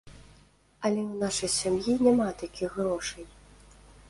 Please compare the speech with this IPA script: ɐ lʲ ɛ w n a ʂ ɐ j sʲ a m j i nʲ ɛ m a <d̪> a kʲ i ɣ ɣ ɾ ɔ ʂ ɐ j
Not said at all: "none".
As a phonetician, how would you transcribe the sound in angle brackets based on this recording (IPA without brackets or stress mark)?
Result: t̪